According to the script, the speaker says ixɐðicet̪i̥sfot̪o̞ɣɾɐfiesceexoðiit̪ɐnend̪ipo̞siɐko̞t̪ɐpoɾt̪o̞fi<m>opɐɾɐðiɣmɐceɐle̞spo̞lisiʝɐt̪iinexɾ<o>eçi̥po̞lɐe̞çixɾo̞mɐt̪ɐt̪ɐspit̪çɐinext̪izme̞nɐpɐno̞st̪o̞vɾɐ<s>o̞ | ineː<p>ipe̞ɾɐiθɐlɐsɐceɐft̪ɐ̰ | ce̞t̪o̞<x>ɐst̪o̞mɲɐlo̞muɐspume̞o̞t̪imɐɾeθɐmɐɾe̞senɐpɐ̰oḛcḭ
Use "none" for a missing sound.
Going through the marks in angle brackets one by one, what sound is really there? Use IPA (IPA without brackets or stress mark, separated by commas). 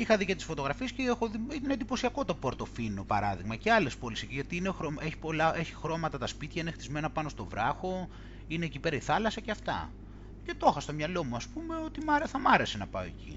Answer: n, o, x, c, x